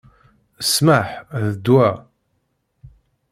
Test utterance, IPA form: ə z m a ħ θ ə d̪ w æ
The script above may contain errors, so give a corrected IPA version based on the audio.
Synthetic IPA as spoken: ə s m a ħ ð ə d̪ w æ